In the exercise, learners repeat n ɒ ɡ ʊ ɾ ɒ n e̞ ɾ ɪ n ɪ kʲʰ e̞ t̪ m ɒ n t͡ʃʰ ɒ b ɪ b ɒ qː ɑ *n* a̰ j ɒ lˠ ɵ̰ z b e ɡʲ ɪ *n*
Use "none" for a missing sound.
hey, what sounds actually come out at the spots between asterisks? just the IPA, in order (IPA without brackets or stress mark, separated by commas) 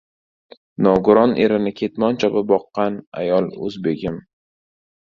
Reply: n, m